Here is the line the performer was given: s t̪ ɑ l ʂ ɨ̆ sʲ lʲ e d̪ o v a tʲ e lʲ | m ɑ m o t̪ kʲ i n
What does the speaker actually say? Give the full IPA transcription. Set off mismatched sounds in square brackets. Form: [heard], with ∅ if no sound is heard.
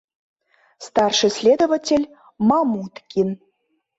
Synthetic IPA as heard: s t̪ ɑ [r] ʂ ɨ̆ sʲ lʲ e d̪ o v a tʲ e lʲ | m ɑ m [u] t̪ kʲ i n